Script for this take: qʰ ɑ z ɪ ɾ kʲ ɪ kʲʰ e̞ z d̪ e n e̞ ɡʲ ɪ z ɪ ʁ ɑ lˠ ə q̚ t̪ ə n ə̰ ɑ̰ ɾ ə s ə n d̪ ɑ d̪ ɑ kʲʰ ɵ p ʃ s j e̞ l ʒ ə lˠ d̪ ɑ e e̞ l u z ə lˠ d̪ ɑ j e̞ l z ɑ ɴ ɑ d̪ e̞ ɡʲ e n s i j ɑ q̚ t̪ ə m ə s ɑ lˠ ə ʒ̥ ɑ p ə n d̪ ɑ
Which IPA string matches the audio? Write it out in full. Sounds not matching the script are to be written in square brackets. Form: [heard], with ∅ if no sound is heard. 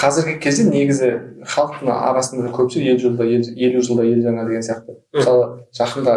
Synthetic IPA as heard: qʰ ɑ z ɪ ɾ [ɡʲ] ɪ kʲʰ e̞ z d̪ e n e̞ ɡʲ ɪ z ɪ [χ] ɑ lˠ ə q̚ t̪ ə n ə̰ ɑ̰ ɾ [ɑ] s ə n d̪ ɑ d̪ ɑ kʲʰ ɵ p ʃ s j e̞ l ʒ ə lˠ d̪ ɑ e e̞ l u [ʒ] ə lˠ d̪ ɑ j e̞ l [ʒ] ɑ ɴ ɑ d̪ e̞ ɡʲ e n s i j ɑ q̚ t̪ ə m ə s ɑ lˠ ə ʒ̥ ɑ [q] ə n d̪ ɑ